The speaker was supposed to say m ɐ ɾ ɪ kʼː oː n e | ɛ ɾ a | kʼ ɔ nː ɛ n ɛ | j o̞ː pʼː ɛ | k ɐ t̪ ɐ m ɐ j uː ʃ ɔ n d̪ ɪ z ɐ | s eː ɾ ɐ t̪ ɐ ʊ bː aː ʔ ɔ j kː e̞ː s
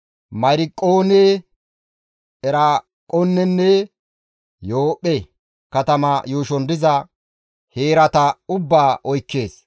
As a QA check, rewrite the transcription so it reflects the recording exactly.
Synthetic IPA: m ɐ ɾ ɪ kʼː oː n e | ɛ ɾ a | kʼ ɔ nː ɛ nː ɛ | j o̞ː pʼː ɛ | k ɐ t̪ ɐ m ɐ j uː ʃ ɔ n d̪ ɪ z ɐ | h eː ɾ ɐ t̪ ɐ ʊ bː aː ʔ ɔ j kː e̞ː s